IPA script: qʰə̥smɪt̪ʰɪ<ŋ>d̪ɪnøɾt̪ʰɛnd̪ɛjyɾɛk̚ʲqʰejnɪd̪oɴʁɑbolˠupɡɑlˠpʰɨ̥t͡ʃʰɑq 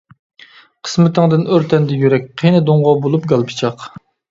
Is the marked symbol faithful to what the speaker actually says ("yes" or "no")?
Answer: yes